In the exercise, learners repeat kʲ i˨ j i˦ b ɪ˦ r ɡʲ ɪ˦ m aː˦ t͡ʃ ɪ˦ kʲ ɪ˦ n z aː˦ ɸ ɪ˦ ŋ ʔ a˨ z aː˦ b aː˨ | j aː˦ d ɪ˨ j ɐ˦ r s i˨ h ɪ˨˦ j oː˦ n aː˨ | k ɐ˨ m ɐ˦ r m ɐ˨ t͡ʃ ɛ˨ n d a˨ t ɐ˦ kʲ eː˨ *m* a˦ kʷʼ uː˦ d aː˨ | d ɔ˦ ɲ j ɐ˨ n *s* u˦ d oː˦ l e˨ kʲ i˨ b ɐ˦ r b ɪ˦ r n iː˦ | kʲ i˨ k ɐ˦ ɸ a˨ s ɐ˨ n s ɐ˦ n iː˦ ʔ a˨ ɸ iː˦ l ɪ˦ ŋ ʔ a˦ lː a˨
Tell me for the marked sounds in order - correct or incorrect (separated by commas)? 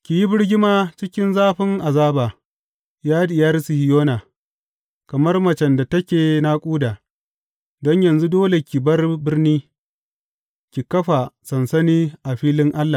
incorrect, incorrect